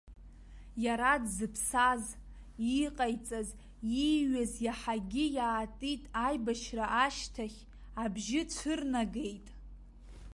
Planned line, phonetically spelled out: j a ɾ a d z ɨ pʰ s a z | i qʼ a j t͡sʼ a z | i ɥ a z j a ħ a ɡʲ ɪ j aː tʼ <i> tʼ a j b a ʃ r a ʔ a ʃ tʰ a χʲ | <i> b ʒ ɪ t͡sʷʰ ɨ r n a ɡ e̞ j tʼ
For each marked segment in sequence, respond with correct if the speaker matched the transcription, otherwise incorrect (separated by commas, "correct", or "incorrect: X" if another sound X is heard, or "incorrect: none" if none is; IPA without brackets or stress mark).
correct, incorrect: a